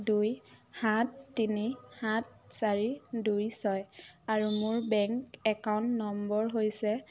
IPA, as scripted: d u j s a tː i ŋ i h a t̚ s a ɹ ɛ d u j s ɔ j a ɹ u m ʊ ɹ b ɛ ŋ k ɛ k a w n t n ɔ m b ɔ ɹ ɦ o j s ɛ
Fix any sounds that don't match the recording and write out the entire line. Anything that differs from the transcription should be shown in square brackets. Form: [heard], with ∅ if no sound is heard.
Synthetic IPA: d u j [h] a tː i [n] i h a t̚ s a ɹ [i] d u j s ɔ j a ɹ u m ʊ ɹ b ɛ ŋ k ɛ k a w n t n ɔ m b ɔ ɹ ɦ o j s ɛ